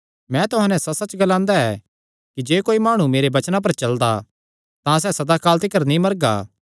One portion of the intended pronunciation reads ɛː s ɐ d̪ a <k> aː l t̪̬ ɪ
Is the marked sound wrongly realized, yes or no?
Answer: no